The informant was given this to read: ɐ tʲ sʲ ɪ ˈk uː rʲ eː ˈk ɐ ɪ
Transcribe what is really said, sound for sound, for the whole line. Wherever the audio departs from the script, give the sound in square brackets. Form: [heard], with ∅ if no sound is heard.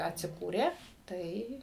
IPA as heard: ɐ tʲ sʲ ɪ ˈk uː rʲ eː [ˈt] ɐ ɪ